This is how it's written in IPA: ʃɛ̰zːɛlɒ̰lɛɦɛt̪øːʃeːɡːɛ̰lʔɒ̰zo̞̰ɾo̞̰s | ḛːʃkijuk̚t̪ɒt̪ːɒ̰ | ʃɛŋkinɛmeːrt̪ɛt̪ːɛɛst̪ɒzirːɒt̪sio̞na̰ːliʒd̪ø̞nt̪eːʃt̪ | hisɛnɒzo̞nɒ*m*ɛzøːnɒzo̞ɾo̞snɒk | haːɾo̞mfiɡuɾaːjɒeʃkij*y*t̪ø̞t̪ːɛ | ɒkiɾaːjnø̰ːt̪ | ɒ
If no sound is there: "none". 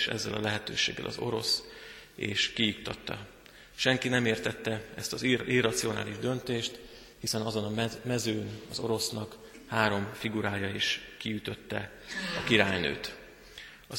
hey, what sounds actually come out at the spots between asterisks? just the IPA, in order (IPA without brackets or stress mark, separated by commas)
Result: m, y